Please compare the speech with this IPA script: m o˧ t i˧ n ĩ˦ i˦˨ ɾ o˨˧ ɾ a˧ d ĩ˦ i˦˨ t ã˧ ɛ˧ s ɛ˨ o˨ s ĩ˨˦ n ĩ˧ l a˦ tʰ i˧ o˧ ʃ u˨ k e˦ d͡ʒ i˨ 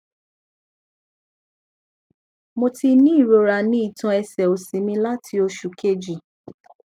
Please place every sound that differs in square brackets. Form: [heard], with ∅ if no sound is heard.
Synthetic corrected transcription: m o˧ t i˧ n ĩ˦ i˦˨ ɾ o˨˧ ɾ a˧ [n] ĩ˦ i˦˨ t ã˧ ɛ˧ s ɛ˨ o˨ s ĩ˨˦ [m] ĩ˧ l a˦ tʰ i˧ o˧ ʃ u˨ k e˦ d͡ʒ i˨